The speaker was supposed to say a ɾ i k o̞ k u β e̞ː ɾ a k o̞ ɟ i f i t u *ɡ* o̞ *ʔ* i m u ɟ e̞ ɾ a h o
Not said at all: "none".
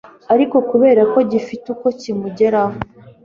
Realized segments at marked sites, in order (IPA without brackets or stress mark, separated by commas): k, c